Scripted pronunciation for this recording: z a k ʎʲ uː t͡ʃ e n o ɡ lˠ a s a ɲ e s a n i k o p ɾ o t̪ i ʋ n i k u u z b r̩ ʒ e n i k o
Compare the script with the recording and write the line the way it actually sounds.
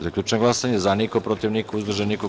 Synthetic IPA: z a k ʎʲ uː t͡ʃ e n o ɡ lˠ a s a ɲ e z a n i k o p ɾ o t̪ i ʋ n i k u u z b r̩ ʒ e n i k o

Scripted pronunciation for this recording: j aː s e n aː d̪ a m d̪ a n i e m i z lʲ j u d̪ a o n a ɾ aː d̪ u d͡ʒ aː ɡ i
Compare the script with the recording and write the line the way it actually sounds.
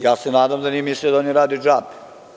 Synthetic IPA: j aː s e n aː d̪ a m d̪ a n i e m i s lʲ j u d̪ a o n i ɾ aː d̪ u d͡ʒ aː b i

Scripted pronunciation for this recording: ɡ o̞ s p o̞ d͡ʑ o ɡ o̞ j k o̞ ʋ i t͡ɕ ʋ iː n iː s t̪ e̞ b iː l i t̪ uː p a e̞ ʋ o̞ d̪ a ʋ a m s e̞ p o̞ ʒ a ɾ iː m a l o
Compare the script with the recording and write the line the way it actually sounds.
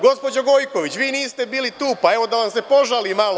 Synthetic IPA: ɡ o̞ s p o̞ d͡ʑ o ɡ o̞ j k o̞ ʋ i t͡ɕ ʋ iː n iː s t̪ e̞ b iː l i t̪ uː p a e̞ ʋ o̞ d̪ a ʋ a m s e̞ p o̞ ʒ a l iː m a l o

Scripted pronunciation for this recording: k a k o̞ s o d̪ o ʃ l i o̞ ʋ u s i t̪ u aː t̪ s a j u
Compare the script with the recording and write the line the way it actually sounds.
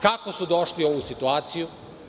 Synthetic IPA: k a k o̞ s u d̪ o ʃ l i o̞ ʋ u s i t̪ u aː t̪ s i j u

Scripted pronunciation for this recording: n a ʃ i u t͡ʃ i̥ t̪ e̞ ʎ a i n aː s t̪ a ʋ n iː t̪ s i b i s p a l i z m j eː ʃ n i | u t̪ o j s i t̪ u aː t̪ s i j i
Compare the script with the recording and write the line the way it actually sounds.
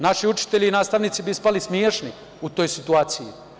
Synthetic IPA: n a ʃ i u t͡ʃ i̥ t̪ e̞ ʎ i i n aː s t̪ a ʋ n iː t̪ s i b i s p a l i s m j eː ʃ n i | u t̪ o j s i t̪ u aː t̪ s i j i

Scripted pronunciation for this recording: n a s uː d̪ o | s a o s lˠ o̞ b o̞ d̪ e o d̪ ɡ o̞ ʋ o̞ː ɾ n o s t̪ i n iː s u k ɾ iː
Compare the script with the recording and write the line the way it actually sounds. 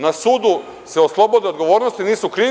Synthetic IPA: n a s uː d̪ u | s e o s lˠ o̞ b o̞ d̪ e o d̪ ɡ o̞ ʋ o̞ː ɾ n o s t̪ i n iː s u k ɾ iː

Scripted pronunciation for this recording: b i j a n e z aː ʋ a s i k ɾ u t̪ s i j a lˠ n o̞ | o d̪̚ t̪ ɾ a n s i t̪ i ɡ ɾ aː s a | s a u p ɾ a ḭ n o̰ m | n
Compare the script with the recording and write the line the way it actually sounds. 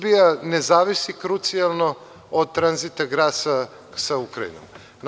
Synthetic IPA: b i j a n e z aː ʋ i s i k ɾ u t̪ s i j a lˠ n o̞ | o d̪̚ t̪ ɾ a n z i t̪ a ɡ ɾ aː s a | s a u k ɾ a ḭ n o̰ m | n

